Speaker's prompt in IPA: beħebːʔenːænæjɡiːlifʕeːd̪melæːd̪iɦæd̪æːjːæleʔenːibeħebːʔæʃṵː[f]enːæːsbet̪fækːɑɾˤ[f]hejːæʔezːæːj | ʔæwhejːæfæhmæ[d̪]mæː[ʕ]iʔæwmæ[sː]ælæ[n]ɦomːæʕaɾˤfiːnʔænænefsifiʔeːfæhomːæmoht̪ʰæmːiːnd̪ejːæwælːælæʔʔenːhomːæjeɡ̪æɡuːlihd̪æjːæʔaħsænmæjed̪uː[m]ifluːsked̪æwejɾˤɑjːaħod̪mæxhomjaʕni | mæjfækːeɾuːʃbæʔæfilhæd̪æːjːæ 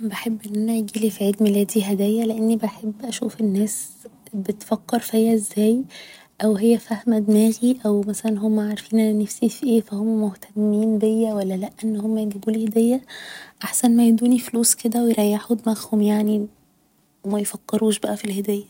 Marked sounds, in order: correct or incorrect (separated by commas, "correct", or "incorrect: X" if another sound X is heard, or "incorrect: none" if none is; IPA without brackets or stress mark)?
correct, correct, correct, incorrect: ɣ, incorrect: s, correct, incorrect: n